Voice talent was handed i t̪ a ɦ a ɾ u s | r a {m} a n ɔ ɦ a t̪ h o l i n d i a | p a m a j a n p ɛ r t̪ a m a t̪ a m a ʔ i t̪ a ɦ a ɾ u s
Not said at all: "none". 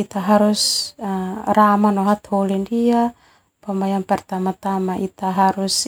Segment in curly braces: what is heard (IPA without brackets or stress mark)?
m